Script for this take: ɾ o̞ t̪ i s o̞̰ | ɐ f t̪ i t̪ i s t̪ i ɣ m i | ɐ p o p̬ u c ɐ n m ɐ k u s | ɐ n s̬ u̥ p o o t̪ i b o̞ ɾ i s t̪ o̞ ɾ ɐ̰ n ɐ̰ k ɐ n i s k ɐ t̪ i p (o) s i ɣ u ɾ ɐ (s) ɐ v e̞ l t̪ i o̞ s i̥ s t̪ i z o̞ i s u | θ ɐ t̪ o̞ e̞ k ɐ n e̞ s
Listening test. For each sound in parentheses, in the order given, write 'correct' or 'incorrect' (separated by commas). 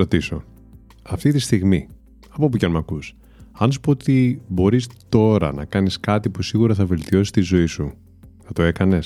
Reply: incorrect, incorrect